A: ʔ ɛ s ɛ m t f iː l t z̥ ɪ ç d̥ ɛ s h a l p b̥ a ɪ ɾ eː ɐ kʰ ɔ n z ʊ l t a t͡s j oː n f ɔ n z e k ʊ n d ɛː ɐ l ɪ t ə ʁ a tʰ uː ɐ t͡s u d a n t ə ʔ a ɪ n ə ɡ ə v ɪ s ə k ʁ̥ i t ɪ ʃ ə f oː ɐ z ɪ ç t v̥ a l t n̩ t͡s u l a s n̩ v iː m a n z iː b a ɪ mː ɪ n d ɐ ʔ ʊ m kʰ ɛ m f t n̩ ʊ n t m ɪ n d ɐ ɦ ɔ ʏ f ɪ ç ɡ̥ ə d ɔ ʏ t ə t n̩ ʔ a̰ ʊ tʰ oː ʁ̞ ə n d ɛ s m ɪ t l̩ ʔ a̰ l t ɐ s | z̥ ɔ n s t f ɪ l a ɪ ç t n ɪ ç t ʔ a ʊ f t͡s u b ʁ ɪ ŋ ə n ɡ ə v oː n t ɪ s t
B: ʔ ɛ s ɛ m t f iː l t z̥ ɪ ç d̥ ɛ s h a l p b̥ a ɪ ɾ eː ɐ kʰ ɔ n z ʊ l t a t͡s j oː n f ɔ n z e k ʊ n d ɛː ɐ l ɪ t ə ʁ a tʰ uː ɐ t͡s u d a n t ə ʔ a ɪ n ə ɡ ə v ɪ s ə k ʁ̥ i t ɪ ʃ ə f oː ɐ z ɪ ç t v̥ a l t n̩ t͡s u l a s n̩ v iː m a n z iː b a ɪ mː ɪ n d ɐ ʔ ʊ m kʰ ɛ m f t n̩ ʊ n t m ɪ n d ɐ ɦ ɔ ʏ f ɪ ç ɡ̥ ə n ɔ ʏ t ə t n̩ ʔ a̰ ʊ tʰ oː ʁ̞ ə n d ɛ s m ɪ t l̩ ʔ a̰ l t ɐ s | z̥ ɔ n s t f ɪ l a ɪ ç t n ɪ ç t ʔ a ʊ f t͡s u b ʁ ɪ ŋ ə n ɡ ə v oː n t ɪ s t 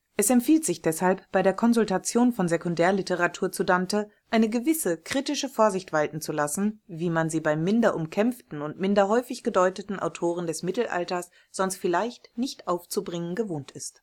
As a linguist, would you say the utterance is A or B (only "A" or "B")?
A